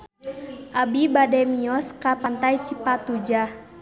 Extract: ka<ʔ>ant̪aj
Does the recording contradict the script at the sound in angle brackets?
yes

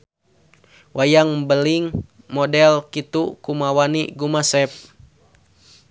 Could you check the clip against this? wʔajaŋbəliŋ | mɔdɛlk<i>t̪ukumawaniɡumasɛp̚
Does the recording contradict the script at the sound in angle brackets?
no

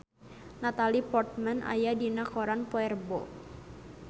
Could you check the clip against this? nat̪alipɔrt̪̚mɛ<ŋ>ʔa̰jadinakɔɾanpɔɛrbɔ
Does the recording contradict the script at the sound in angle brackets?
yes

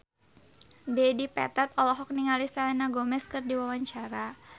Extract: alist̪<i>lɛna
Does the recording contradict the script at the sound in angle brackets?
yes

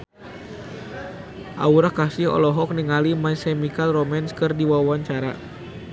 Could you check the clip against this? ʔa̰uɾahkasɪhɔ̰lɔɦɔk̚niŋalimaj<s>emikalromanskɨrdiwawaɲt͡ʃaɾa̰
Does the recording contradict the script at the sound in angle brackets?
no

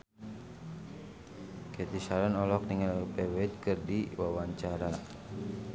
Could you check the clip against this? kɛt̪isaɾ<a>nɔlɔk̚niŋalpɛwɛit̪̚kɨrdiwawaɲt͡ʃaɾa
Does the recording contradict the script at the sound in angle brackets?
no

